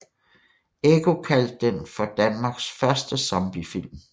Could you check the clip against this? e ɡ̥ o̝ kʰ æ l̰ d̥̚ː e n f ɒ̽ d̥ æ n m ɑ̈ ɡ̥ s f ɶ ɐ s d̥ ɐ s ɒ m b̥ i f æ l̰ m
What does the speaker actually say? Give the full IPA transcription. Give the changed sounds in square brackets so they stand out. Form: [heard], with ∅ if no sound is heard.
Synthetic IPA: e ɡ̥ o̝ kʰ æ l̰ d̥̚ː e n f ɒ̽ d̥ æ n m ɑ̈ ɡ̥ s f ɶ ɐ s d̥ [ə] s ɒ m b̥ i f [i] l̰ m